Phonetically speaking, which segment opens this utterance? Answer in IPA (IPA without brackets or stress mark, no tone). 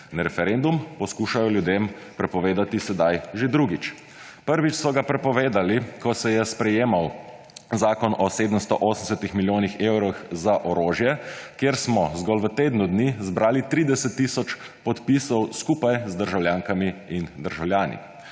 n